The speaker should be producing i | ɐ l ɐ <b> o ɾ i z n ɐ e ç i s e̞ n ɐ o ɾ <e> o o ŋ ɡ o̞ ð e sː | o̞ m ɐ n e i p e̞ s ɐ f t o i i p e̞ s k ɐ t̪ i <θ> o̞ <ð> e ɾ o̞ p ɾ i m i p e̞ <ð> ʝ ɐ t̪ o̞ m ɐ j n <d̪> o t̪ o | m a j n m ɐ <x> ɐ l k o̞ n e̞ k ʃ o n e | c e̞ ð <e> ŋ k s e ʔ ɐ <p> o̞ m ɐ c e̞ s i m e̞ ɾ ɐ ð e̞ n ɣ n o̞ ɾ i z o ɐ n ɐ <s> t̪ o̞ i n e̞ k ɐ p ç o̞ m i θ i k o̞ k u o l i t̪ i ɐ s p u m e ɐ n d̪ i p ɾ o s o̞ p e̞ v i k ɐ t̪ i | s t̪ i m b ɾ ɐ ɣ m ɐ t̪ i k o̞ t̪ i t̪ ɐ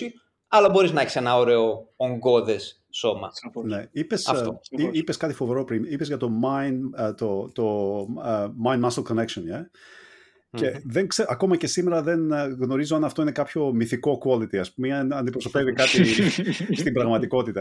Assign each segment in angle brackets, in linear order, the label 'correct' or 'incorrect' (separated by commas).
correct, correct, incorrect, incorrect, incorrect, incorrect, incorrect, correct, incorrect, incorrect